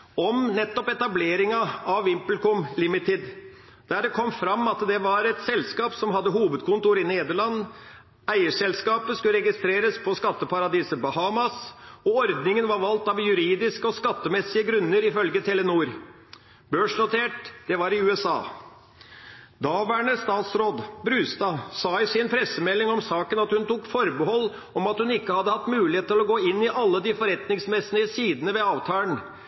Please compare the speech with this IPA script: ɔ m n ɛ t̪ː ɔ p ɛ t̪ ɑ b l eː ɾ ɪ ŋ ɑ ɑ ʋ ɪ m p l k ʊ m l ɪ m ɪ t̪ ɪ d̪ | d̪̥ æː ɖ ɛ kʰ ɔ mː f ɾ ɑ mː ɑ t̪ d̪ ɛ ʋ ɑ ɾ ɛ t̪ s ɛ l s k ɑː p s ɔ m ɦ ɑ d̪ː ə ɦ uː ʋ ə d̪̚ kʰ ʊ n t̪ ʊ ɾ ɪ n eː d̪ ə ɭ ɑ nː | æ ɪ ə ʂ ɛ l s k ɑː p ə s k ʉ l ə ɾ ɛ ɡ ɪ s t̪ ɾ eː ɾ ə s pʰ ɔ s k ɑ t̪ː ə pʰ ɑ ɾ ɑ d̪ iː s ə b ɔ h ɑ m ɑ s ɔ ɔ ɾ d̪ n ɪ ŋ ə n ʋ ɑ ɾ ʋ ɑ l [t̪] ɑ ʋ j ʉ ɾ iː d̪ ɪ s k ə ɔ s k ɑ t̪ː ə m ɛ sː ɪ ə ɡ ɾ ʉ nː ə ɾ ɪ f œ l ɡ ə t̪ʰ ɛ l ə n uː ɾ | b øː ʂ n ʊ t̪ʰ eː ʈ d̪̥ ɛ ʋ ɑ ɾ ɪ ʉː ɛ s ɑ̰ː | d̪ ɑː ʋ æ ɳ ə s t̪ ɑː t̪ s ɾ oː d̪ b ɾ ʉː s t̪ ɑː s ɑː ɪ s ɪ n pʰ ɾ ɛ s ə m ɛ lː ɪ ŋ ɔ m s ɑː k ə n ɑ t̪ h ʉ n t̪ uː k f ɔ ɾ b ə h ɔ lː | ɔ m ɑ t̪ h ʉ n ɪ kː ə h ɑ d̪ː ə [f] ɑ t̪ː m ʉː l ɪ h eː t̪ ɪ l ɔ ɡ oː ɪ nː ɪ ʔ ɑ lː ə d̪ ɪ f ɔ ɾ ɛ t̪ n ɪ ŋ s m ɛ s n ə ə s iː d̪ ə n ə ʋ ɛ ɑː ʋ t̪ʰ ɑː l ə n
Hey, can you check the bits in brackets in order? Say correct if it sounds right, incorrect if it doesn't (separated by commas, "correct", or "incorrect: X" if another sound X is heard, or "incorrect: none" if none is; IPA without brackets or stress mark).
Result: correct, incorrect: h